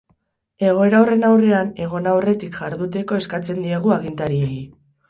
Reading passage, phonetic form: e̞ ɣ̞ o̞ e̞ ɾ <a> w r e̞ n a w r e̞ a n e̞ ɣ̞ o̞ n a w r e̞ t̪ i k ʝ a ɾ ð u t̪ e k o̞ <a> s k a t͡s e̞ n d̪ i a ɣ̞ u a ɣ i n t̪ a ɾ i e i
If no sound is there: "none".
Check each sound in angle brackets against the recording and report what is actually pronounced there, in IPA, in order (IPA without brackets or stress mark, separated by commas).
a, e